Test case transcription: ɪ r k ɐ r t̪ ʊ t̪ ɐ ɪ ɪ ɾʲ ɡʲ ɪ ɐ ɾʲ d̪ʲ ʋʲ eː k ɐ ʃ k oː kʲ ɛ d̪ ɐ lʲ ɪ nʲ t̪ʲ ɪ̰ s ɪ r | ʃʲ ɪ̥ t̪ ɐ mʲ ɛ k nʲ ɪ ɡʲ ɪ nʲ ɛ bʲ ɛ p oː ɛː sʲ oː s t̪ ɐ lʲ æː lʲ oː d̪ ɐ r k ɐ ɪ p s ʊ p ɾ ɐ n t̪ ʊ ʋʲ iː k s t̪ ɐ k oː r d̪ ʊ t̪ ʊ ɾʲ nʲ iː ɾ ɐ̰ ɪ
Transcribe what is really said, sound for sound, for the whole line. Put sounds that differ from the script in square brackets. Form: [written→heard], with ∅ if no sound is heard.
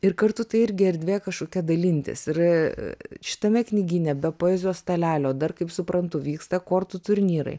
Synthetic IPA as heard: ɪ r k ɐ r t̪ ʊ t̪ ɐ ɪ ɪ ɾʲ ɡʲ ɪ ɐ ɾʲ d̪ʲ ʋʲ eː k ɐ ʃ k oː kʲ ɛ d̪ ɐ lʲ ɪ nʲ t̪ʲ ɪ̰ s ɪ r | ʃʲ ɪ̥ t̪ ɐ mʲ ɛ k nʲ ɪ ɡʲ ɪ nʲ ɛ bʲ ɛ p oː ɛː [sʲ→zʲ] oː s t̪ ɐ lʲ æː lʲ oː d̪ ɐ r k ɐ ɪ p s ʊ p ɾ ɐ n t̪ ʊ ʋʲ iː k s t̪ ɐ k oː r [d̪→t̪] ʊ t̪ ʊ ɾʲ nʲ iː ɾ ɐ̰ ɪ